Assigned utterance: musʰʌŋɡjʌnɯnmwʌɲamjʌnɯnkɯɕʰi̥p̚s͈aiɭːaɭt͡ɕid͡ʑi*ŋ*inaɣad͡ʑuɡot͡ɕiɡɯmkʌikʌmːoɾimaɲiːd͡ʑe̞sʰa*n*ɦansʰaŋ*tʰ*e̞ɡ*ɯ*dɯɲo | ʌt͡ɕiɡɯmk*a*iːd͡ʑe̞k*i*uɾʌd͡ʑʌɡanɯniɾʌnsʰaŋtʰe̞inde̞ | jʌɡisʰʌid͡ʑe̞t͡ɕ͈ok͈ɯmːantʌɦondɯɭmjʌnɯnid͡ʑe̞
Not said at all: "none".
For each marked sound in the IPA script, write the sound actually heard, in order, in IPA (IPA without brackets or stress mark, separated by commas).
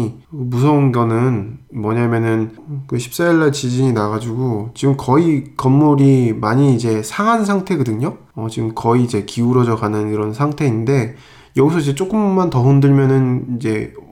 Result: ɲ, ŋ, tʰ, ɯ, ʌ, i